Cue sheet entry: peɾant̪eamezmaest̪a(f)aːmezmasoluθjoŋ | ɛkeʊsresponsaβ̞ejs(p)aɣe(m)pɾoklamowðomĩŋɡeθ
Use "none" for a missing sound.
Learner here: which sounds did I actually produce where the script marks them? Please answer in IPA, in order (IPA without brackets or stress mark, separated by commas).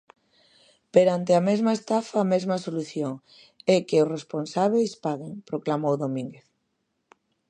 f, p, ŋ